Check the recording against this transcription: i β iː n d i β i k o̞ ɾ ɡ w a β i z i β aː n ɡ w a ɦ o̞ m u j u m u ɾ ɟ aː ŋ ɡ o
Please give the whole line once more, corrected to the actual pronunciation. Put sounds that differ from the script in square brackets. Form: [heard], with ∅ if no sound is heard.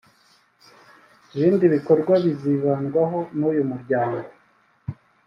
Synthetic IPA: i β iː n d i β i k o̞ ɾ ɡ w a β i z i β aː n ɡ w a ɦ o̞ [n] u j u m u ɾ ɟ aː ŋ ɡ o